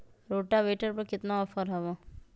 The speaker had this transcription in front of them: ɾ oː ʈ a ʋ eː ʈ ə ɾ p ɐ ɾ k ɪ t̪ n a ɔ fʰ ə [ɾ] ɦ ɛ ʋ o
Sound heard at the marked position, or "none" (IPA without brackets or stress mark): ɾ